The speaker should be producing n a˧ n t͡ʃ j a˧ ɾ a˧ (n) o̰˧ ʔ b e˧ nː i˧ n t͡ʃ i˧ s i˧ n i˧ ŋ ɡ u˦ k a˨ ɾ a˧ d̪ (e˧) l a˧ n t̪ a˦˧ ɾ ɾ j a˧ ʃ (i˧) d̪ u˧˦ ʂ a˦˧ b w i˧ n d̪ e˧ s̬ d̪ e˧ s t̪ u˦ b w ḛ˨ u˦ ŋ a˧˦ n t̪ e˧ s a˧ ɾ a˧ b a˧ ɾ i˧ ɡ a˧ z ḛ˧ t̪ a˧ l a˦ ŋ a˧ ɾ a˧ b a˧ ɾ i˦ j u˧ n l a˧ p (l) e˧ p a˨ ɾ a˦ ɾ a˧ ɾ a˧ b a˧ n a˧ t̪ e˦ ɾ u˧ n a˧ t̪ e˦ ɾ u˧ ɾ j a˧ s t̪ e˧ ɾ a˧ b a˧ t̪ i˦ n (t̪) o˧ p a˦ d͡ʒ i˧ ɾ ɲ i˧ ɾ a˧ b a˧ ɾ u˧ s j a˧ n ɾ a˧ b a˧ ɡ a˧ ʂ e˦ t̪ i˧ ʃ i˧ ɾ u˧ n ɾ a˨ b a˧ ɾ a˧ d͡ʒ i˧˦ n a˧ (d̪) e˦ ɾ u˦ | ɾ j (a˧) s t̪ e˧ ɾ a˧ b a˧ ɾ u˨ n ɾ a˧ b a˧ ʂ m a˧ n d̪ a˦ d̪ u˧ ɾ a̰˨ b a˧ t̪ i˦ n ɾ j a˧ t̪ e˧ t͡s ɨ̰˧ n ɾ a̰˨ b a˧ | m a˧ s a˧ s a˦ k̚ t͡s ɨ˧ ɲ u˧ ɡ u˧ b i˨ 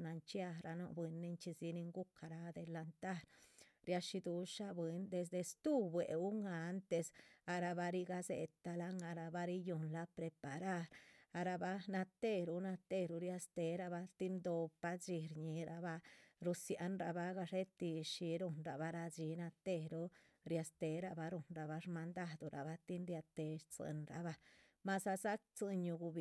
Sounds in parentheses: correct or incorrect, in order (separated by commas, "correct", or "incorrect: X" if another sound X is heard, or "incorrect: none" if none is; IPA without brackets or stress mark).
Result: correct, correct, correct, incorrect: ɾ, incorrect: d̪, incorrect: t̪, correct